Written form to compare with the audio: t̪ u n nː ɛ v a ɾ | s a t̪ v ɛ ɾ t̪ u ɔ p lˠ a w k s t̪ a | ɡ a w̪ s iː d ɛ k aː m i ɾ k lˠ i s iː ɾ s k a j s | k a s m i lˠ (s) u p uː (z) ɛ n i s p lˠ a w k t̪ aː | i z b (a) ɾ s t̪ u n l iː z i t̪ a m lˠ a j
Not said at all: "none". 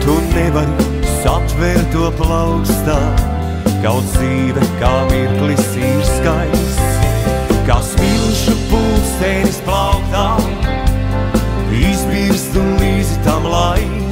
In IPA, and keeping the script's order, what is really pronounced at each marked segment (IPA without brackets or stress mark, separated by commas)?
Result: ʃ, s, i